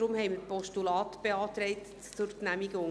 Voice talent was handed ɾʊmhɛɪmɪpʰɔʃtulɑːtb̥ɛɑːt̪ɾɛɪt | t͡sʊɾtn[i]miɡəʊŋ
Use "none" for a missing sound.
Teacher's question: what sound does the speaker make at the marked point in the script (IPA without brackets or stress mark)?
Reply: æ